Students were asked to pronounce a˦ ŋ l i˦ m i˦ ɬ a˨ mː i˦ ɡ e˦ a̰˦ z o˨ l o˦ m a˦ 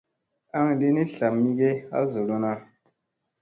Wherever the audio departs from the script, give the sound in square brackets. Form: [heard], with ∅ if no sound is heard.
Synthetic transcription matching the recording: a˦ ŋ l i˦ [n] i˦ ɬ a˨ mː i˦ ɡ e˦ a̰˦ z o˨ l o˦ [n] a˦